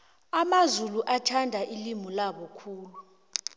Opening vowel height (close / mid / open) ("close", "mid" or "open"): open